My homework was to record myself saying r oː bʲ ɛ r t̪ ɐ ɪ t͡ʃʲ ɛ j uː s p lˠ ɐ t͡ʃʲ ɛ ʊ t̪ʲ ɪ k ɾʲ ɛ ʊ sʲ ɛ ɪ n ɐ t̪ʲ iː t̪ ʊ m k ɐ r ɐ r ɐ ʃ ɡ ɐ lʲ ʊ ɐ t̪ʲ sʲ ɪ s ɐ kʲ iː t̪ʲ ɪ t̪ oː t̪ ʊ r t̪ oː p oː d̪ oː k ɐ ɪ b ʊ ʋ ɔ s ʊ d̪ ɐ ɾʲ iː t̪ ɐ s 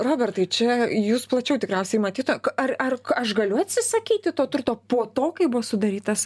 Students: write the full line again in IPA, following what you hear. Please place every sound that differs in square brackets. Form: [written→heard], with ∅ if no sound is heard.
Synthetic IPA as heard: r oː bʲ ɛ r t̪ ɐ ɪ t͡ʃʲ ɛ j uː s p lˠ ɐ t͡ʃʲ ɛ ʊ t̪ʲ ɪ k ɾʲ ɛ ʊ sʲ ɛ ɪ [n→m] ɐ t̪ʲ iː t̪ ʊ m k ɐ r ɐ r ɐ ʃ ɡ ɐ lʲ ʊ ɐ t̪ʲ sʲ ɪ s ɐ kʲ iː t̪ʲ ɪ t̪ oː t̪ ʊ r t̪ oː p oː [d̪→t̪] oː k ɐ ɪ b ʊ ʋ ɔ s ʊ d̪ ɐ ɾʲ iː t̪ ɐ s